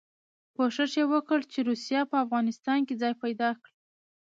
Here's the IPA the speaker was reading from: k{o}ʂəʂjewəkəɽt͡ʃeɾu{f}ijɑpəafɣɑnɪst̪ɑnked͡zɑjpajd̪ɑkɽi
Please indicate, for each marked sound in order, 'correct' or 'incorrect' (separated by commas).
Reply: correct, incorrect